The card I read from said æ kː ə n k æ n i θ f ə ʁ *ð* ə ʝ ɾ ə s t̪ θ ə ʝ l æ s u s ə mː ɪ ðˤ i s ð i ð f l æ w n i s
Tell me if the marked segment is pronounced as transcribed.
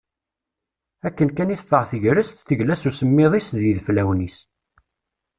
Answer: no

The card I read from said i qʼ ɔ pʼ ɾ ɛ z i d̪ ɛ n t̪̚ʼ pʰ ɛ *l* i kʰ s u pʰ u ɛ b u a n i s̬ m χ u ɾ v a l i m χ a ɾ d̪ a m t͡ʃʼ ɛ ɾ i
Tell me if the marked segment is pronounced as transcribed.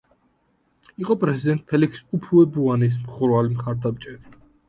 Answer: yes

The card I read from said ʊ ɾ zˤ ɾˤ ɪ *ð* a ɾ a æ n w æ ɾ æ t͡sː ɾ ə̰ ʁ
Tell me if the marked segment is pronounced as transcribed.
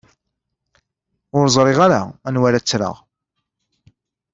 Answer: no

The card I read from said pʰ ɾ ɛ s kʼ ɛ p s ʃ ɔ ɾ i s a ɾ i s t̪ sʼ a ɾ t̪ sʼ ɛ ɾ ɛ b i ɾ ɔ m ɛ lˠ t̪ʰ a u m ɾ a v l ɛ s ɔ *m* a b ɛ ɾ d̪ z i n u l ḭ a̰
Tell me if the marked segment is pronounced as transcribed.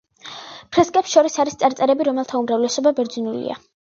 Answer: no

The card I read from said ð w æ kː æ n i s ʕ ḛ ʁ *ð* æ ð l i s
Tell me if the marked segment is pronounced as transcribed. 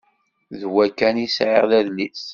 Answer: yes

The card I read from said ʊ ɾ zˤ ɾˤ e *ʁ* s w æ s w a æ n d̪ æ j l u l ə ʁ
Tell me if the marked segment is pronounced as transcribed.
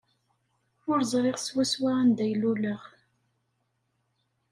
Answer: yes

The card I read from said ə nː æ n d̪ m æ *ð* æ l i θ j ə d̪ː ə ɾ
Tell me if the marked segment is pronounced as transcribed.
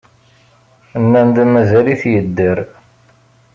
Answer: no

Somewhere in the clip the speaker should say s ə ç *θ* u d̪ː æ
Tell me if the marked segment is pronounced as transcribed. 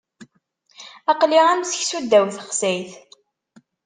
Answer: no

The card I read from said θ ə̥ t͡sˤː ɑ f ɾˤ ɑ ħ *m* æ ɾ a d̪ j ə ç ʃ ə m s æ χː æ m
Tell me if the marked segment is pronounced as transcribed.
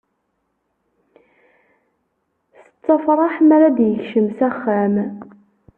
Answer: yes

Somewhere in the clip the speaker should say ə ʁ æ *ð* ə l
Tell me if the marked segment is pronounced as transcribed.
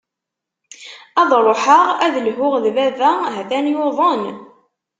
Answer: yes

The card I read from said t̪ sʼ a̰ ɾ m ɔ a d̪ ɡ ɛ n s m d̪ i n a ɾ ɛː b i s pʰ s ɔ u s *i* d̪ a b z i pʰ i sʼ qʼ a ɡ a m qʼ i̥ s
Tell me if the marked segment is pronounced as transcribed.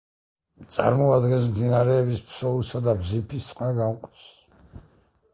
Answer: no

